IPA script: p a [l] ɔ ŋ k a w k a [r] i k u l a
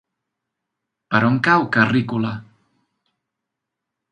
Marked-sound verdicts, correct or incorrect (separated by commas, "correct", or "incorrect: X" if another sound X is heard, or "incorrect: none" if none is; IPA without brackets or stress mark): incorrect: ɾ, correct